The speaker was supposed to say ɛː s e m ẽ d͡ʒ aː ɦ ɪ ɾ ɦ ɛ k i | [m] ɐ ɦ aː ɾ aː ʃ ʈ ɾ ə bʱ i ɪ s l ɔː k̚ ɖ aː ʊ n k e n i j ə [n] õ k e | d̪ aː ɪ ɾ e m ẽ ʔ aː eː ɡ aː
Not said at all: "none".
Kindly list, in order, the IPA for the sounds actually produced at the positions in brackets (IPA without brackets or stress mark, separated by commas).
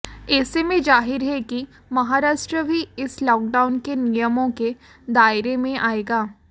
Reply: m, m